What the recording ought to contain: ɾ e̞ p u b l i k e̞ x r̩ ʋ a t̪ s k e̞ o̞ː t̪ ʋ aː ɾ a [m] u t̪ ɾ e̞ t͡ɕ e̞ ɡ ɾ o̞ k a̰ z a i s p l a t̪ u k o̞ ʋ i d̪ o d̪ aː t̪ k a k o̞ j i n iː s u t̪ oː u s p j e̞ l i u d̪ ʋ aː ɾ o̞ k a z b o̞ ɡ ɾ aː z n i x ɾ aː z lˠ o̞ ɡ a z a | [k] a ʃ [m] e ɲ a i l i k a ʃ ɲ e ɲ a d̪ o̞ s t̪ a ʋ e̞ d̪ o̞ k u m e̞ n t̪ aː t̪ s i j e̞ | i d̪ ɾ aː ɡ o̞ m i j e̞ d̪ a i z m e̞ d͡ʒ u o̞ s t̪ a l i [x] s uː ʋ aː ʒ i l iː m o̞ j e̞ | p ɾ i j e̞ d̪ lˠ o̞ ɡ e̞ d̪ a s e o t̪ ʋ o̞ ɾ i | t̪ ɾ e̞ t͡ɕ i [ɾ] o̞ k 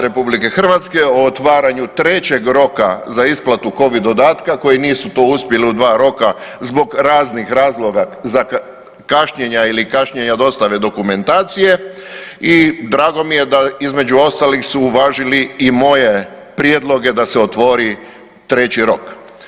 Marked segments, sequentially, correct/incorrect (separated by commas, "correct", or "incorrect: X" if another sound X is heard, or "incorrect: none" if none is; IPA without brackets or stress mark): incorrect: ɲ, correct, incorrect: ɲ, correct, correct